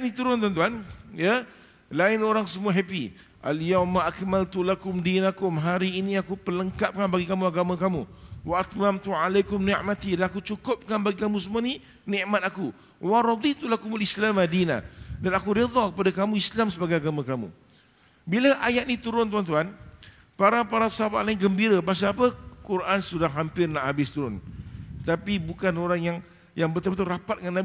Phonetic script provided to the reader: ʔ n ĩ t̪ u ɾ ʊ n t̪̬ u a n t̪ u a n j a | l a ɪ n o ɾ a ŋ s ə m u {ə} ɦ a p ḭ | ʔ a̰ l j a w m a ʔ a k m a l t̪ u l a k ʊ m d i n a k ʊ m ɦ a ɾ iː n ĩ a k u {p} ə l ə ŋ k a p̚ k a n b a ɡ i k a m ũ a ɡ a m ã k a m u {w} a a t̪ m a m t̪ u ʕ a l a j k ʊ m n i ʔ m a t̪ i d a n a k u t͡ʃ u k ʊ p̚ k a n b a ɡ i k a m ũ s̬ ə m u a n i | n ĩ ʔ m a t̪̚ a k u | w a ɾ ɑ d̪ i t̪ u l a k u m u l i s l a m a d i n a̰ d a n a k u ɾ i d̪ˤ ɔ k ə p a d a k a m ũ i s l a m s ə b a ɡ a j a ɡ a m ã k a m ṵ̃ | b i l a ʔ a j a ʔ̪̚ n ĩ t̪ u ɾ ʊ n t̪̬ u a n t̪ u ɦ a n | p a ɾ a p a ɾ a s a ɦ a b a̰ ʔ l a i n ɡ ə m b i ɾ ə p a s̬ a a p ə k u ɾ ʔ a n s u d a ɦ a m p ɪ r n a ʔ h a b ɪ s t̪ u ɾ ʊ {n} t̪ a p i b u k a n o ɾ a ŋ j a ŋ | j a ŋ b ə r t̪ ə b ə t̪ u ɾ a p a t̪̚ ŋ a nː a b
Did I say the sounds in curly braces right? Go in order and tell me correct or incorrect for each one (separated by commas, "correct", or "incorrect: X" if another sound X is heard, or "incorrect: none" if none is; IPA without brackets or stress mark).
incorrect: a, correct, correct, correct